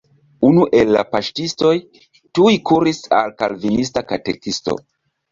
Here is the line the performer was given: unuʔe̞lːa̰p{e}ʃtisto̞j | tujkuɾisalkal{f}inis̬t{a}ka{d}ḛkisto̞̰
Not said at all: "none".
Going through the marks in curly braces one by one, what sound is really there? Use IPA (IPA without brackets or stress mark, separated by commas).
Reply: a, v, a, t